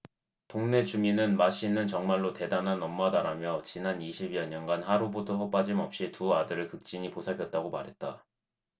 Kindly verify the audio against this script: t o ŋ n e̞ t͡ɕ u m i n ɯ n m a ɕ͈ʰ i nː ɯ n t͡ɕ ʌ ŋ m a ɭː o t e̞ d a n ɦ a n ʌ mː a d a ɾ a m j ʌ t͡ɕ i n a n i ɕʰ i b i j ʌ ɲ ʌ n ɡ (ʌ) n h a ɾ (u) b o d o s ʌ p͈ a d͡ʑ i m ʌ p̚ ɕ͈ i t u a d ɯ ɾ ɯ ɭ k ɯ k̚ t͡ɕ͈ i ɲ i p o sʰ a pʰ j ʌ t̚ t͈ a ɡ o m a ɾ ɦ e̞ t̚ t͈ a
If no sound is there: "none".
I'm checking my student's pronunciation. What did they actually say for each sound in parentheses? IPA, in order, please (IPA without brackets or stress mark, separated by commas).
a, u